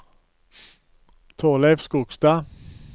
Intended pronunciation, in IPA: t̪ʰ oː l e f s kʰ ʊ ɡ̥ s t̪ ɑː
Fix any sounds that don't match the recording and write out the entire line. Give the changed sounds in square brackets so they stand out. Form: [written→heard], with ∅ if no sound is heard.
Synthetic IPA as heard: t̪ʰ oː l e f s [kʰ→k] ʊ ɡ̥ s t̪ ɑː

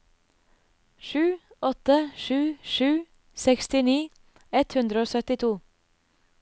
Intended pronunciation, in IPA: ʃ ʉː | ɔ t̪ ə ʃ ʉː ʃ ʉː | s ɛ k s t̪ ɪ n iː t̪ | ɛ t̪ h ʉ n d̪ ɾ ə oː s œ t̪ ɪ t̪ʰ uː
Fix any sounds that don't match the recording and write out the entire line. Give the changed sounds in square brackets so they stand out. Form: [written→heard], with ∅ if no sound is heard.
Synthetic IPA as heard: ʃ ʉː | ɔ t̪ ə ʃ ʉː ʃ ʉː | s ɛ k s t̪ ɪ n iː [t̪→∅] | ɛ t̪ h ʉ n d̪ ɾ ə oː s œ t̪ ɪ t̪ʰ uː

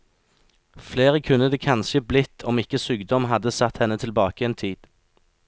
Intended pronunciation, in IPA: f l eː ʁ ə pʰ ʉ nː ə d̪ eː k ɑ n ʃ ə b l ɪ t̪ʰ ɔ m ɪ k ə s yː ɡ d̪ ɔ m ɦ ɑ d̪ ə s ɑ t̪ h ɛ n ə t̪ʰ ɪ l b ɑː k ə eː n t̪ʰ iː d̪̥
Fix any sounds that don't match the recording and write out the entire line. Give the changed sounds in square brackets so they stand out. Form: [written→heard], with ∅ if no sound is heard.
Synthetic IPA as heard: f l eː ʁ ə [pʰ→kʰ] ʉ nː ə d̪ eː [k→kʰ] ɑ n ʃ ə b l ɪ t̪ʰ ɔ m ɪ k ə s yː ɡ d̪ ɔ m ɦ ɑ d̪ ə s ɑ t̪ h ɛ n ə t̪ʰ ɪ l b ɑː k ə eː n t̪ʰ iː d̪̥

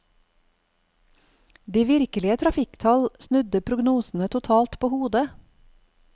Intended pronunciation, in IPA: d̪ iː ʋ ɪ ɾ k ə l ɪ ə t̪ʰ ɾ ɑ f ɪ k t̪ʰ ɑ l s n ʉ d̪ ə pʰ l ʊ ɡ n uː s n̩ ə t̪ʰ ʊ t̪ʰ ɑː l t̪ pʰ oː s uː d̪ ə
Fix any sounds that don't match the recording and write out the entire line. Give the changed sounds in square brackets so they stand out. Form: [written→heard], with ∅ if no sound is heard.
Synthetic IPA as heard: d̪ iː ʋ ɪ ɾ k ə l ɪ ə t̪ʰ ɾ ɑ f ɪ k t̪ʰ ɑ l s n ʉ d̪ ə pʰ [l→ɾ] ʊ ɡ n uː s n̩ ə t̪ʰ ʊ t̪ʰ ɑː l t̪ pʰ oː [s→h] uː d̪ ə

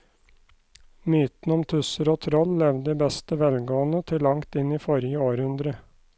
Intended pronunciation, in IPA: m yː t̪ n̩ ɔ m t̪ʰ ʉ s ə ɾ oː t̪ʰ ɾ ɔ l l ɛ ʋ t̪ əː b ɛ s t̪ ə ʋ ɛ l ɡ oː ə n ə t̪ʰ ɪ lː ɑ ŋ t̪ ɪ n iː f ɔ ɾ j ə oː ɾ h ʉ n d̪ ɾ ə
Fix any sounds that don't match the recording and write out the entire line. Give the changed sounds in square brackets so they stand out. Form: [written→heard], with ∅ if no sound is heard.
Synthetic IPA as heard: m yː t̪ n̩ ɔ m t̪ʰ ʉ s ə ɾ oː t̪ʰ ɾ ɔ l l ɛ ʋ [t̪→d̪] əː b ɛ s t̪ ə ʋ ɛ l ɡ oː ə n ə t̪ʰ ɪ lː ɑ ŋ t̪ ɪ n iː f ɔ ɾ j ə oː ɾ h ʉ n d̪ ɾ ə

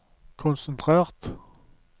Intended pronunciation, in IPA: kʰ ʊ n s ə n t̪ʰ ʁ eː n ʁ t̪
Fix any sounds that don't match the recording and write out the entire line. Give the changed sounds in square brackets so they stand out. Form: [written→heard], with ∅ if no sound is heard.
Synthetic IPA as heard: kʰ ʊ n s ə n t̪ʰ ʁ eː [n→∅] ʁ t̪

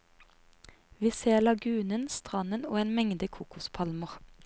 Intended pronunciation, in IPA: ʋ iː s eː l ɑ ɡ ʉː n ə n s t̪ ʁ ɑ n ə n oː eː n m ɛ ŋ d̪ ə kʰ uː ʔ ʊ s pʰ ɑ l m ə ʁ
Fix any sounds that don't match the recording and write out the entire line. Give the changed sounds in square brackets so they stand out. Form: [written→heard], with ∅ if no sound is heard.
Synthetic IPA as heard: ʋ iː s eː l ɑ ɡ ʉː n ə n s t̪ ʁ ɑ n ə n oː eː n m ɛ ŋ d̪ ə kʰ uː [ʔ→k] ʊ s pʰ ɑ l m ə ʁ

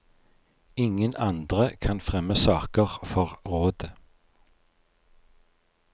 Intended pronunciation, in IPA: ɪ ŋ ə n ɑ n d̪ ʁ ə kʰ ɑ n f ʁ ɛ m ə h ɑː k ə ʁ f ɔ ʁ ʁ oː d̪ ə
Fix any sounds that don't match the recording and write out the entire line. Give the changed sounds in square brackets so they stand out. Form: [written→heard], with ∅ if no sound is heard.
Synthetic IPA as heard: ɪ ŋ ə n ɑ n d̪ ʁ ə kʰ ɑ n f ʁ ɛ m ə [h→s] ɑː k ə ʁ f ɔ ʁ ʁ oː d̪ ə

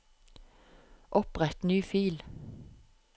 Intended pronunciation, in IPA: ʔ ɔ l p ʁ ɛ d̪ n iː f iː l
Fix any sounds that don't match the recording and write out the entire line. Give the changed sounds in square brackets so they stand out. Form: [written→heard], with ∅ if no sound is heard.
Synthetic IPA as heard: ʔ ɔ [l→∅] p ʁ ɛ [d̪→t̪] n [iː→yː] f iː l

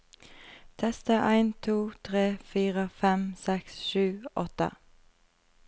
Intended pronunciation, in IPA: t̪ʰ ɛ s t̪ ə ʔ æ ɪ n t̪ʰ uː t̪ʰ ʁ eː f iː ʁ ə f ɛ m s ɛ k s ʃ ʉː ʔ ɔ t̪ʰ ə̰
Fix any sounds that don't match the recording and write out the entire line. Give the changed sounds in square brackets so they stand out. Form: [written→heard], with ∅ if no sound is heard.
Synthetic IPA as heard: t̪ʰ ɛ s t̪ ə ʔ æ ɪ n t̪ʰ uː t̪ʰ ʁ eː f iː ʁ ə f ɛ m s ɛ k s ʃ ʉː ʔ ɔ [t̪ʰ→t̪] ə̰

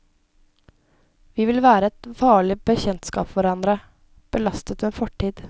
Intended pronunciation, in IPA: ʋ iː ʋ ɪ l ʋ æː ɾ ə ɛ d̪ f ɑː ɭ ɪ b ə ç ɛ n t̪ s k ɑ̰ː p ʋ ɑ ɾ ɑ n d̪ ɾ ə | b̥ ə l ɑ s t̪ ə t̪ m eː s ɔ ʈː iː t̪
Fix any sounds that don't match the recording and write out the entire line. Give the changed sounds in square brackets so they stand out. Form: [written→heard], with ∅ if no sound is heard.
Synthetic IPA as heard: ʋ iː ʋ ɪ l ʋ æː ɾ ə ɛ [d̪→t̪] f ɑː ɭ ɪ b ə ç ɛ n t̪ s k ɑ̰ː p ʋ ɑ ɾ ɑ n d̪ ɾ ə | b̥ ə l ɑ s t̪ ə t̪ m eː [s→f] ɔ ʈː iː [t̪→d̪]

